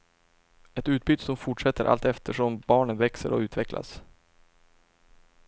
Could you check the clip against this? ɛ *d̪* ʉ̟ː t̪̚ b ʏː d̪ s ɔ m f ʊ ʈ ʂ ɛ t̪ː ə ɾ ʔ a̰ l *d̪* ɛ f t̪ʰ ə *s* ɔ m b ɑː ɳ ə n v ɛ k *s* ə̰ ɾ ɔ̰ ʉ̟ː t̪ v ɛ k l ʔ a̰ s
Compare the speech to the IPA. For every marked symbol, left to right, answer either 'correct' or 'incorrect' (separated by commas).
incorrect, incorrect, incorrect, correct